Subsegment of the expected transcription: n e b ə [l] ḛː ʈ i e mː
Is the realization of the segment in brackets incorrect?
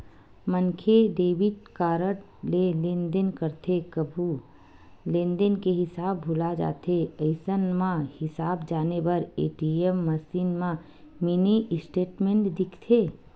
yes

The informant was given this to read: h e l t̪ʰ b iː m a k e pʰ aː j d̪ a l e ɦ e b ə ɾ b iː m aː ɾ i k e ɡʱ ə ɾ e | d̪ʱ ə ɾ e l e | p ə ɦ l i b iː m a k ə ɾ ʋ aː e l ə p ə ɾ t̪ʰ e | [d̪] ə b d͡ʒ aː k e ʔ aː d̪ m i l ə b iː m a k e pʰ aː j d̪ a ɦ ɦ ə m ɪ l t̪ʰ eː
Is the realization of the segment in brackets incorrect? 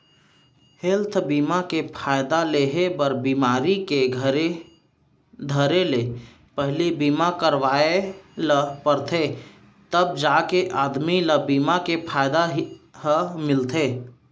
yes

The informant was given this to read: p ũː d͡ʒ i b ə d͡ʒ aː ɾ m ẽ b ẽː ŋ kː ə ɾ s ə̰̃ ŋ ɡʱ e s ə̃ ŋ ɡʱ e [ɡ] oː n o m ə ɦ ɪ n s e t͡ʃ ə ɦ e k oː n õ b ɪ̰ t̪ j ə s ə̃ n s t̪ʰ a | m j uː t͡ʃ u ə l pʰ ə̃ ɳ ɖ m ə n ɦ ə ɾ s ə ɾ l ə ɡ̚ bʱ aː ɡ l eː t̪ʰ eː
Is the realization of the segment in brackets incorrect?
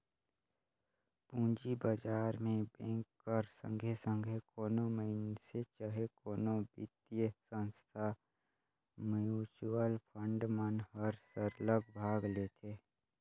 yes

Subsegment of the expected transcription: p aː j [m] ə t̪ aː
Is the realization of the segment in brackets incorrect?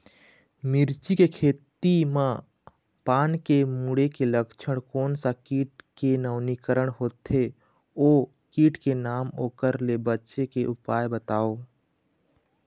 yes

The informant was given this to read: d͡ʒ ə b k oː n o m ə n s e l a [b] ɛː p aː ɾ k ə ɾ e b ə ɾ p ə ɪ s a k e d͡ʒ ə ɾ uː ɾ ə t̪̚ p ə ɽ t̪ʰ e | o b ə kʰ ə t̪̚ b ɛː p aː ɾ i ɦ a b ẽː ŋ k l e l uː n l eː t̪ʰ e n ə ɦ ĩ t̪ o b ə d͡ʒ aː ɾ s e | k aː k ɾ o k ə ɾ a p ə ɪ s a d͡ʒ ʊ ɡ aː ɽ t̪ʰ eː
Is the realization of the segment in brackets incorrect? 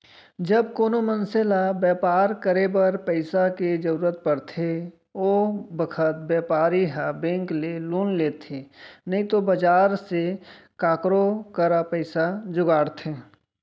no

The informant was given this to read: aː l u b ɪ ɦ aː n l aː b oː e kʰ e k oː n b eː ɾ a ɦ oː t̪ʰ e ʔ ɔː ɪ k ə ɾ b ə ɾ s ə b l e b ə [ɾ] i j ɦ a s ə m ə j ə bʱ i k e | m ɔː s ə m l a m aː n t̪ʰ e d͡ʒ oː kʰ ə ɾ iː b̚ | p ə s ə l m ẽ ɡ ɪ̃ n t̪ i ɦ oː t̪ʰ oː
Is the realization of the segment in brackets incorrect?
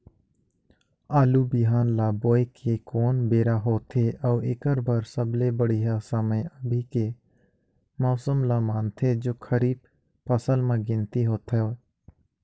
yes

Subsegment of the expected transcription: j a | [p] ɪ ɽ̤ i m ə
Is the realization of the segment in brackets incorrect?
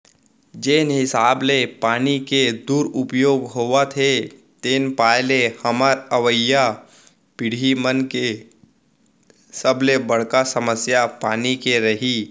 no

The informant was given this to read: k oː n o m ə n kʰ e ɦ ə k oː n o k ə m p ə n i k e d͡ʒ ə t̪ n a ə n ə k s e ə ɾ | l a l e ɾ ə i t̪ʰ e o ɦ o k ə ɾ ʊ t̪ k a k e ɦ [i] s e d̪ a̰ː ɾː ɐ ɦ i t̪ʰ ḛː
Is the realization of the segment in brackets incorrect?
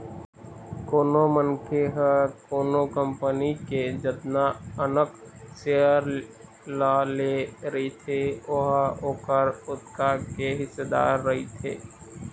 yes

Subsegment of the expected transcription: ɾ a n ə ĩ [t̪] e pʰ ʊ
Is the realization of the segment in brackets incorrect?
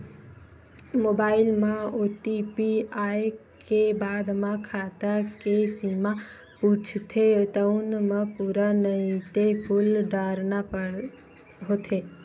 no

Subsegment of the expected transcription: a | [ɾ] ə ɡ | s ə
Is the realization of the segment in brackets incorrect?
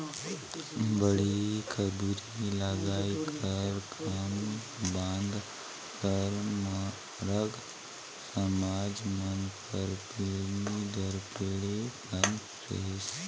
no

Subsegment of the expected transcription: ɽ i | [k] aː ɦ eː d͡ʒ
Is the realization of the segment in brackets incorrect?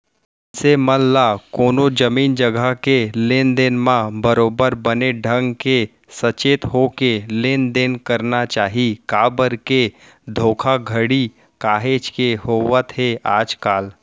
no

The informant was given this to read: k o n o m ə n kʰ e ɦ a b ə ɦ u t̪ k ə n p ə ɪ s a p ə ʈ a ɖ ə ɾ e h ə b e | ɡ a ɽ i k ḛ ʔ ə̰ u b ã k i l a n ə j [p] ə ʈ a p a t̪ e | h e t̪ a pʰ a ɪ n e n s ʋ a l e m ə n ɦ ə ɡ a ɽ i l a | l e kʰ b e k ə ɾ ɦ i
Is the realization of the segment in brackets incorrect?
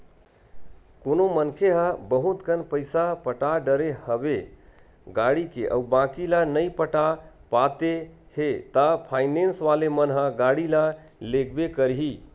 no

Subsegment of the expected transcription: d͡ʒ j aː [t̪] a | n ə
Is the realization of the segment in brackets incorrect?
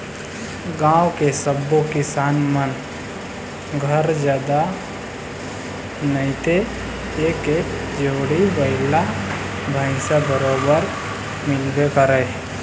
yes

